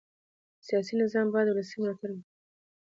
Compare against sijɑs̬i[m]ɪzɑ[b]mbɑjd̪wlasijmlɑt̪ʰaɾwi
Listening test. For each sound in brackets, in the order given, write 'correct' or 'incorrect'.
incorrect, incorrect

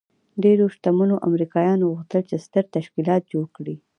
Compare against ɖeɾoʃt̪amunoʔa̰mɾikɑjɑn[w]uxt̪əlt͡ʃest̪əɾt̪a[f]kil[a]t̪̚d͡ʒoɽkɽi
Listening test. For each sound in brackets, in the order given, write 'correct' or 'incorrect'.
incorrect, incorrect, incorrect

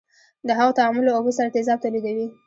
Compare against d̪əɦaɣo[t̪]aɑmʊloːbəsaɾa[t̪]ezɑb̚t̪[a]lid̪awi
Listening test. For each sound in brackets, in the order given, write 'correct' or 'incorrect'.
correct, correct, correct

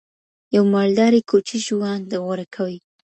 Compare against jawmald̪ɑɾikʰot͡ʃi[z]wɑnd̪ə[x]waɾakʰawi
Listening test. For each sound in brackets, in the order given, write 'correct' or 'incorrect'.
incorrect, incorrect

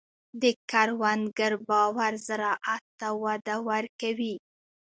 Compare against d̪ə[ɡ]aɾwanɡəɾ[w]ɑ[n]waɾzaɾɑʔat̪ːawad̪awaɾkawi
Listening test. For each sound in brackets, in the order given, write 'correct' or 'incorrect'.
incorrect, incorrect, incorrect

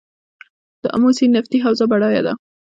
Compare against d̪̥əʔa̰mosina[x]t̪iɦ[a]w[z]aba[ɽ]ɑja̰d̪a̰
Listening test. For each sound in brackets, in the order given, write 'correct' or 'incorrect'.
incorrect, correct, correct, correct

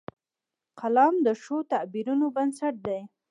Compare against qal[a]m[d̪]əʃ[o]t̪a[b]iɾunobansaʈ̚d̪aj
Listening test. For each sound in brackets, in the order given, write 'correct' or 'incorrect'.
incorrect, correct, correct, correct

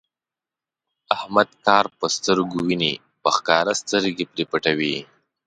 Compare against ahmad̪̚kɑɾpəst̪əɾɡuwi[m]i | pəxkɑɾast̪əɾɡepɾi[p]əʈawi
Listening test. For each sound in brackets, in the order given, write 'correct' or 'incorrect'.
incorrect, correct

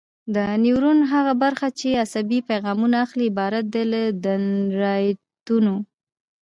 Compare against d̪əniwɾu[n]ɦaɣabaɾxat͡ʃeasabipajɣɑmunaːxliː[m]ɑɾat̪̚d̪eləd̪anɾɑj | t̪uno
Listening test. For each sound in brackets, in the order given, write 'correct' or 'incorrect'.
correct, incorrect

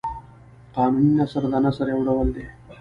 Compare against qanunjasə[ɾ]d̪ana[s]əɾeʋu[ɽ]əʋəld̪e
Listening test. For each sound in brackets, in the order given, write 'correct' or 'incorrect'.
correct, correct, correct

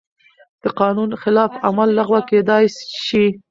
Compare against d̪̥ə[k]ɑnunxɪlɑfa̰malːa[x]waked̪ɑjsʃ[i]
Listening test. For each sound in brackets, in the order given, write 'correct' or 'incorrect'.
incorrect, incorrect, correct

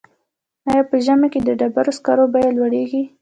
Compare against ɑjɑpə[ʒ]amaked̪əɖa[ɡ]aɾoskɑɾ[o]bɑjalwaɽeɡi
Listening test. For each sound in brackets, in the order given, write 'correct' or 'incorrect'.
correct, incorrect, correct

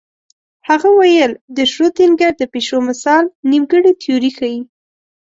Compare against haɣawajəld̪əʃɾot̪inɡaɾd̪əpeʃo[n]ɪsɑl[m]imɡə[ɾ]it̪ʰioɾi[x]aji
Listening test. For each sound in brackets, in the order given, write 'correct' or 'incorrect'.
incorrect, incorrect, incorrect, correct

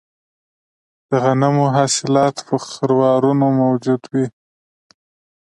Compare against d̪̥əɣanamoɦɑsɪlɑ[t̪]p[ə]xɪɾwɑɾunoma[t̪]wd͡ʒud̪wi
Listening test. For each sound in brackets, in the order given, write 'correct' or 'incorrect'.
correct, correct, incorrect

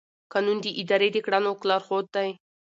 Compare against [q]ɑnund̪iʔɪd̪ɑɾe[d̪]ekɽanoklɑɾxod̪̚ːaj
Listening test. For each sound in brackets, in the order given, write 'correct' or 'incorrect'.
incorrect, correct

